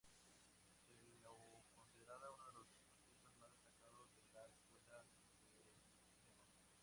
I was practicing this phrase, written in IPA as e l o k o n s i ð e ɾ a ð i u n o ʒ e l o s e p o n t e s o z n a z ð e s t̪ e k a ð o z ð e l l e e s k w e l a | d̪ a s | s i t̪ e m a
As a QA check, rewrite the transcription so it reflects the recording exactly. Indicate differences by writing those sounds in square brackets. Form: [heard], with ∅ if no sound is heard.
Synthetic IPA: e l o k o n s i ð e ɾ a ð [a] u n o [ð] e l o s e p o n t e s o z [m] a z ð e s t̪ [a] k a ð o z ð e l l [a] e s k w e l a | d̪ [e] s | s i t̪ e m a